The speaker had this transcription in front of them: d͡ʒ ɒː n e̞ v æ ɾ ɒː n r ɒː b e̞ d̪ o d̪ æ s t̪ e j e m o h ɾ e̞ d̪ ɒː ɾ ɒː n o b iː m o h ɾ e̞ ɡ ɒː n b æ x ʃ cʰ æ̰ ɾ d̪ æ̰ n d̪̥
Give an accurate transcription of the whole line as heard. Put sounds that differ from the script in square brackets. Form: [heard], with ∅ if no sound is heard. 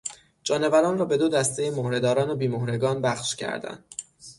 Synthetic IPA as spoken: d͡ʒ ɒː n e̞ v æ ɾ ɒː n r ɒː b e̞ d̪ o d̪ æ s t̪ e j e m o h ɾ e̞ d̪ ɒː ɾ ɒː n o b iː m o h ɾ e̞ ɡ ɒː n b æ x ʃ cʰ æ̰ ɾ d̪ æ̰ n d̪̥